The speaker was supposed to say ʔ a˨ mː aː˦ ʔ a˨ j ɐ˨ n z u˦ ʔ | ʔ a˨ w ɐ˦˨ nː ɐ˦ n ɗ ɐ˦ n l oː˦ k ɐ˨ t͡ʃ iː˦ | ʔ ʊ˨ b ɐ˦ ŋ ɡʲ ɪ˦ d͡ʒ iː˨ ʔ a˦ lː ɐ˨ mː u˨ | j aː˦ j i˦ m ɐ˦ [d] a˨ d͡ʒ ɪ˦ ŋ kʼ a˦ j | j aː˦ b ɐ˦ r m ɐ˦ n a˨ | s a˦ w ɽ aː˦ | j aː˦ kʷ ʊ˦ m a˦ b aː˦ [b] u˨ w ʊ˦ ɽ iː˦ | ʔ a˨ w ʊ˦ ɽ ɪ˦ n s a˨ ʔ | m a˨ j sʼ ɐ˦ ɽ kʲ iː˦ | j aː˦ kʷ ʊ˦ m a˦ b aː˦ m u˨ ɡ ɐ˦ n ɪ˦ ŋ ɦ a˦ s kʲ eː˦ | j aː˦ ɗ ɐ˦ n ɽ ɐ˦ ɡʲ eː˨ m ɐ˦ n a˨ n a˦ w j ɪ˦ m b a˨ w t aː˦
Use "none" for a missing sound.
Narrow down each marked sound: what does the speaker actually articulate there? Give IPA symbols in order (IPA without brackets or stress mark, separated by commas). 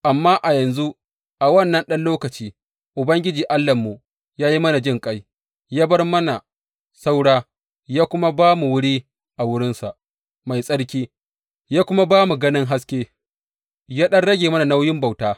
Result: n, m